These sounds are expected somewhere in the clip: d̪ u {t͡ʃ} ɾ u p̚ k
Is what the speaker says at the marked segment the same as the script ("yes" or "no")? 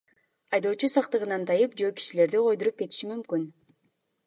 no